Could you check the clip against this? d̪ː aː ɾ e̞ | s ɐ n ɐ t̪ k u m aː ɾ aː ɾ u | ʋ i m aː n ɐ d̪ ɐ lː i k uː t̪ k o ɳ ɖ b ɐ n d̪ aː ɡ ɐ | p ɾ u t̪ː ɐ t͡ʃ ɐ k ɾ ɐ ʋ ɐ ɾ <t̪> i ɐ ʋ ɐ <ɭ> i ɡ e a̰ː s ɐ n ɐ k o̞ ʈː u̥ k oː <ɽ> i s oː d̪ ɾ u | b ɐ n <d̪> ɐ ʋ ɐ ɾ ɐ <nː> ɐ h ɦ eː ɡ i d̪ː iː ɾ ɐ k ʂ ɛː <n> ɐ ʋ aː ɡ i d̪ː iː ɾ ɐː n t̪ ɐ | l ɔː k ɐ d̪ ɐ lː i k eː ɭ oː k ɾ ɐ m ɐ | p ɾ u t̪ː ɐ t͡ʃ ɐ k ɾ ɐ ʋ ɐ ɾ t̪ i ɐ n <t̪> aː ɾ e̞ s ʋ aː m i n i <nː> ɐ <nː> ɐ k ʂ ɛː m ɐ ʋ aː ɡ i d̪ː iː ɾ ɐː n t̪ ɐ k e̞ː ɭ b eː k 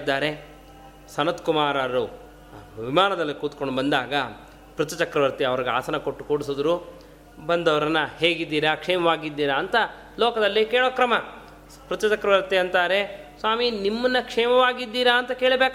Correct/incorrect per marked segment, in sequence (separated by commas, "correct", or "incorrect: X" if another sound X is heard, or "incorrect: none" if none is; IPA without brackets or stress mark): correct, incorrect: ɾ, correct, correct, correct, incorrect: m, correct, incorrect: mː, correct